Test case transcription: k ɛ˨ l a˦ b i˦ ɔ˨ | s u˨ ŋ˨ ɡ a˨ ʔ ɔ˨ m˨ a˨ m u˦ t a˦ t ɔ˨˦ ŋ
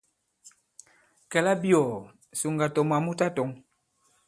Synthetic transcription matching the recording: k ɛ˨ l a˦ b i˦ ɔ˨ | s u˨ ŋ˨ ɡ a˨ t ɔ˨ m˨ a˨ m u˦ t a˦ t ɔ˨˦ ŋ